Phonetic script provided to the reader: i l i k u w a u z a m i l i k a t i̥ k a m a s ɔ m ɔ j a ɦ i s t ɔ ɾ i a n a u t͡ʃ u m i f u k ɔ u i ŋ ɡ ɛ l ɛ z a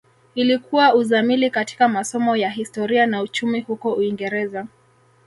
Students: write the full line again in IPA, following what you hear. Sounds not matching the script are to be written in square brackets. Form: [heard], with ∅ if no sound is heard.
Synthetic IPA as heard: i l i k u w a u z a m i l i k a t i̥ k a m a s ɔ m ɔ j a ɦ i s t ɔ ɾ i a n a u t͡ʃ u m i [h] u k ɔ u i ŋ ɡ ɛ [ɾ] ɛ z a